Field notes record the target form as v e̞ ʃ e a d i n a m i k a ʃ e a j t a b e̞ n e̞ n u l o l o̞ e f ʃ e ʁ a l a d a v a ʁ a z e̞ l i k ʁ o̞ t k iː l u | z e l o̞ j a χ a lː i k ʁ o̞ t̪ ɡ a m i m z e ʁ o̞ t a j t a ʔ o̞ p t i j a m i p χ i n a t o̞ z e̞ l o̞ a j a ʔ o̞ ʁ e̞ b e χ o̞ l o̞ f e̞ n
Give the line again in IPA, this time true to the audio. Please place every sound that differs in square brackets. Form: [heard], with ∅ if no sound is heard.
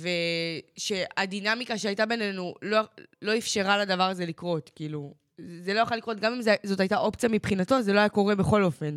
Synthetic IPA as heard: v e̞ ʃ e a d i n a m i k a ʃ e a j t a b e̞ n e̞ n u l o l o̞ [i] f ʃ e ʁ a l a d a v a ʁ a z e̞ l i k ʁ o̞ t k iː l u | z e l o̞ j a χ a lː i k ʁ o̞ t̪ ɡ a m i m z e [z] o̞ t a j t a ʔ o̞ p [t͡s] i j a m i p χ i n a t o̞ z e̞ l o̞ a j a [k] o̞ ʁ e̞ b e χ o̞ l o̞ f e̞ n